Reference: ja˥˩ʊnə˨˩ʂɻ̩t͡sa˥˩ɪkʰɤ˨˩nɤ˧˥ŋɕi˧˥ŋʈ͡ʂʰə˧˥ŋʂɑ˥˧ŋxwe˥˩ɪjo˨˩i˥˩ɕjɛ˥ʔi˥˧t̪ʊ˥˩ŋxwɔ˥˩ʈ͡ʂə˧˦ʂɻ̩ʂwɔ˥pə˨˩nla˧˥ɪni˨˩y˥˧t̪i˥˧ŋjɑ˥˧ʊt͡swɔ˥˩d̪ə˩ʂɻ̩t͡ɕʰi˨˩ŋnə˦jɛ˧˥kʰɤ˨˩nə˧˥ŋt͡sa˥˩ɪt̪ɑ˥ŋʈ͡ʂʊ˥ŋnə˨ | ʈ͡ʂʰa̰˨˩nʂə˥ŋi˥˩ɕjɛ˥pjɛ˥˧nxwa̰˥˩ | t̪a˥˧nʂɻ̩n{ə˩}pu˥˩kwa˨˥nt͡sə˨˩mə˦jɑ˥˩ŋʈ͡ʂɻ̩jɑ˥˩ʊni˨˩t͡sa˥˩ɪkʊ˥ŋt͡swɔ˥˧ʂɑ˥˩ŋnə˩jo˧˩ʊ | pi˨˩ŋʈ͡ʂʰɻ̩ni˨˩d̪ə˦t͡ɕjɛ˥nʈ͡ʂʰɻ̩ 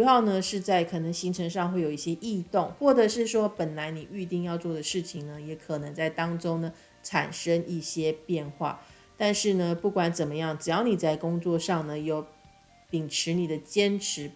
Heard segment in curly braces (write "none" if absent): ə˩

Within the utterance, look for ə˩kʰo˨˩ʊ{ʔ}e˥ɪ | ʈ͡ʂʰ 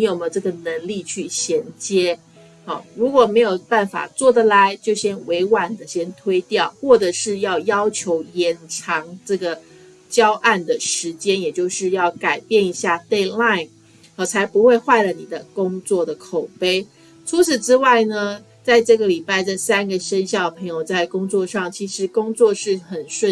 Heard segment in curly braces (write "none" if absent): p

